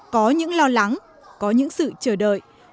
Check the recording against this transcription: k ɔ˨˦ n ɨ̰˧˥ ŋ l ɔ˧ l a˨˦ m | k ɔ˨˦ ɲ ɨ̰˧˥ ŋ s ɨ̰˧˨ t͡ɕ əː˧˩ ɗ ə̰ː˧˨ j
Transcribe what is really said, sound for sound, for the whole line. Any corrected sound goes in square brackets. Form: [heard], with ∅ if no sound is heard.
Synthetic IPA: k ɔ˨˦ [ɲ] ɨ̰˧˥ ŋ l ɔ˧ l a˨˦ [ŋ] | k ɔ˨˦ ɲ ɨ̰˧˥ ŋ s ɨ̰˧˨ t͡ɕ əː˧˩ ɗ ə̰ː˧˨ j